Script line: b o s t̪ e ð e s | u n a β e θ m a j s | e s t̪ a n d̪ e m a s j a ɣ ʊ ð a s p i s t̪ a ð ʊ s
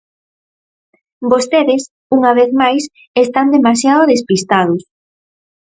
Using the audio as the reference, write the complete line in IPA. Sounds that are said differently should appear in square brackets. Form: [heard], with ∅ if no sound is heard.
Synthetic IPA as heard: b o s t̪ e ð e s | u [ŋ] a β e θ m a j s | e s t̪ a n d̪ e m a s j a [ð] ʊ ð [e] s p i s t̪ a ð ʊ s

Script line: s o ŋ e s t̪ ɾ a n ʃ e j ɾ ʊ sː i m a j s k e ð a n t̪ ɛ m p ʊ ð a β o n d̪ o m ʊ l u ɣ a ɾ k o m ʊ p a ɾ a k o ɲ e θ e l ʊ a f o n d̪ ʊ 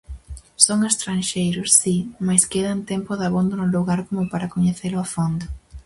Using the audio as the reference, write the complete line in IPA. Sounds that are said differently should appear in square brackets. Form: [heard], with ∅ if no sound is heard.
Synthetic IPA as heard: s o ŋ e s t̪ ɾ a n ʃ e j ɾ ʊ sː i m a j s k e ð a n t̪ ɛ m p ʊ ð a β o n d̪ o [n] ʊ l u ɣ a ɾ k o m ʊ p a ɾ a k o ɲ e θ e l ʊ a f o n d̪ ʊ

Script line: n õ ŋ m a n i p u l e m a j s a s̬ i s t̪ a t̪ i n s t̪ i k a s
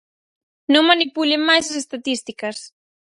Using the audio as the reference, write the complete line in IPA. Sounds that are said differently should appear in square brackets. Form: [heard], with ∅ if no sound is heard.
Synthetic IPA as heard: n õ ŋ m a n i p u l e m a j s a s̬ [e] s t̪ a t̪ i [∅] s t̪ i k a s

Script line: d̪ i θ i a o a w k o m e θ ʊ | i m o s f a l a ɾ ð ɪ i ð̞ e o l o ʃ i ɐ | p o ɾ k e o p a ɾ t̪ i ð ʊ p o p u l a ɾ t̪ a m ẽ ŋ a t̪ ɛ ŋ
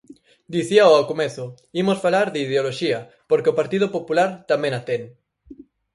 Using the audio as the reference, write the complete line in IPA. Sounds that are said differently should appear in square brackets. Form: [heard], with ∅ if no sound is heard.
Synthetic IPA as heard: d̪ i θ i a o a w k o m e θ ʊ | i m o s f a l a ɾ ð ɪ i ð̞ e o l o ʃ i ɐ | p o ɾ k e o p a ɾ t̪ i ð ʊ p o p u l a ɾ t̪ a m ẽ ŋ a t̪ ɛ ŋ

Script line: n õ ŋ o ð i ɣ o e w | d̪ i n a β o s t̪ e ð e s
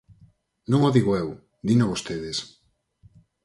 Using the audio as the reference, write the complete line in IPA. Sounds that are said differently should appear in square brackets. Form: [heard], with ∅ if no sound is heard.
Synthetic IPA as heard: n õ ŋ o ð i ɣ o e w | d̪ i n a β o s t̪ e ð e s

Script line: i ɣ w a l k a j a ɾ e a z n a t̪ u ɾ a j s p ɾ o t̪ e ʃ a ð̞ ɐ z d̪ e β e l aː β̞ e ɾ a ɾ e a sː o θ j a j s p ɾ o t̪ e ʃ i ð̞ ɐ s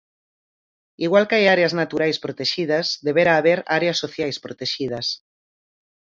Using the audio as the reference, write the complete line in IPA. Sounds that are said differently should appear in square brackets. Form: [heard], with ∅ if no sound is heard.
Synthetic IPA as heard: i ɣ w a l k a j a ɾ e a z n a t̪ u ɾ a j s p ɾ o t̪ e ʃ [i] ð̞ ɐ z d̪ e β e [ɾ] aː β̞ e ɾ a ɾ e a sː o θ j a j s p ɾ o t̪ e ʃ i ð̞ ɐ s

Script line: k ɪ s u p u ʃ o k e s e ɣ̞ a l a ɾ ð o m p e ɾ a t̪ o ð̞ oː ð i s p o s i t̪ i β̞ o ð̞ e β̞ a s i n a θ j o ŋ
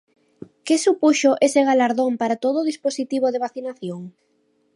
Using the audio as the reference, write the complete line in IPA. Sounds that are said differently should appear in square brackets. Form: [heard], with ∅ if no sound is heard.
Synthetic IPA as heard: k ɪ s u p u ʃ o [ʔ] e s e ɣ̞ a l a ɾ ð o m p [a] ɾ a t̪ o ð̞ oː ð i s p o s i t̪ i β̞ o ð̞ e β̞ a [θ] i n a θ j o ŋ

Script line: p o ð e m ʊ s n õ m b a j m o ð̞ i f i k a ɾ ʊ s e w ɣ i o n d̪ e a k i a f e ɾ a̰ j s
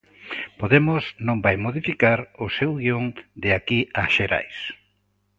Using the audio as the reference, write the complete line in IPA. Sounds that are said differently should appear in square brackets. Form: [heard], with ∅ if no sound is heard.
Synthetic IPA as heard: p o ð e m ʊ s n õ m b a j m o ð̞ i f i k a ɾ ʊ s e w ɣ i o [ŋ] d̪ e a k i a [ʃ] e ɾ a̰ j s

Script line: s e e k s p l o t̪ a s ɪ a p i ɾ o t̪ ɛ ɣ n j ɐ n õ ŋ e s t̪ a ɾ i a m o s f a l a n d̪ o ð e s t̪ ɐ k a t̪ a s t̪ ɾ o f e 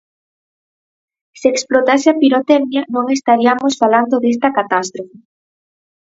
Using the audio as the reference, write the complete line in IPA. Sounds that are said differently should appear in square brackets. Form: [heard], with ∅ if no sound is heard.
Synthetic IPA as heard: s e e k s p l o t̪ a s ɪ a p i ɾ o t̪ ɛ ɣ n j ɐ n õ ŋ e s t̪ a ɾ i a m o s f a l a n d̪ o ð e s t̪ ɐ k a t̪ a s t̪ ɾ o f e

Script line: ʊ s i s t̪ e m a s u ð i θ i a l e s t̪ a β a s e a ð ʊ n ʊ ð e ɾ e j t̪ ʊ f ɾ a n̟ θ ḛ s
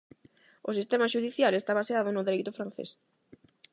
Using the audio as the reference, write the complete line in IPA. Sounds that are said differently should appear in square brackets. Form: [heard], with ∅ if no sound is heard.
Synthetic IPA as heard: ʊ s i s t̪ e m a [ʃ] u ð i θ [j] a l e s t̪ a β a s e a ð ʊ n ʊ ð e ɾ e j t̪ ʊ f ɾ a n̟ θ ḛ s

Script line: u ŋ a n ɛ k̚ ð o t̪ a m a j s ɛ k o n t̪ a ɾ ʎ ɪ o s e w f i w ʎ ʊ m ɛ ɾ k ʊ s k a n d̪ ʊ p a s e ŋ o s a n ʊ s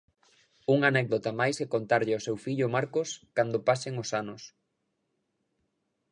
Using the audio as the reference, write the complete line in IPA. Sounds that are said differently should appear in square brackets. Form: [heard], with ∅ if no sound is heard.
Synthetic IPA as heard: u ŋ a n ɛ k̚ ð o t̪ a m a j s ɛ k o n t̪ a ɾ ʎ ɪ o s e w f i [∅] ʎ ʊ m [a] ɾ k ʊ s k a n d̪ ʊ p a s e ŋ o s a n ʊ s

